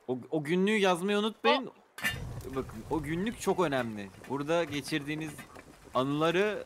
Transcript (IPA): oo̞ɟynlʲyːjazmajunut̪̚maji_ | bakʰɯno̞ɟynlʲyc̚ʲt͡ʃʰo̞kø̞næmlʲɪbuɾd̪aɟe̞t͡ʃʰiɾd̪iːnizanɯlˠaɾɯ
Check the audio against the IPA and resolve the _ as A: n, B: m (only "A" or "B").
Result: A